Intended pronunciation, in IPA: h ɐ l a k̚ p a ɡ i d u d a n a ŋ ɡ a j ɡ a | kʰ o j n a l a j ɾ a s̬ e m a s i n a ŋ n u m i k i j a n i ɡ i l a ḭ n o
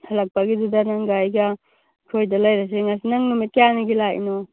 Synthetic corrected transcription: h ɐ l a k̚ p a ɡ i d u d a n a ŋ ɡ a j ɡ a | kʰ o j d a l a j ɾ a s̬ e ŋ a s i n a ŋ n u m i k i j a n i ɡ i l a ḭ n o